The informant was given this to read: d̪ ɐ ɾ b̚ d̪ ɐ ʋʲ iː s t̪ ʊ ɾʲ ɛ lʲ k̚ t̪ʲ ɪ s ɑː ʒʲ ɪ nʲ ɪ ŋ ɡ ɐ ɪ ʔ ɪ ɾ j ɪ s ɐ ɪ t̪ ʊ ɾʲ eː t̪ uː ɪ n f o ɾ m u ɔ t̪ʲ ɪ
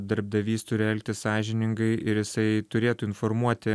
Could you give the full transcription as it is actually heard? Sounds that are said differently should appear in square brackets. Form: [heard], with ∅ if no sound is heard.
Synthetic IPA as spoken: d̪ ɐ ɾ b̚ d̪ ɐ ʋʲ iː s t̪ ʊ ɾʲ ɛ lʲ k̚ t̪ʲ ɪ s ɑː ʒʲ ɪ nʲ ɪ ŋ ɡ ɐ ɪ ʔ ɪ ɾ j ɪ s ɐ ɪ t̪ ʊ ɾʲ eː t̪ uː ɪ n f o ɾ m u ɔ t̪ʲ ɪ